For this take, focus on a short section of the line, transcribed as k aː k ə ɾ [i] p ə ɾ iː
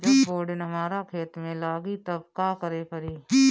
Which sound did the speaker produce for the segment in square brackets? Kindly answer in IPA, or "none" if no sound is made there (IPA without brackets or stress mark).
e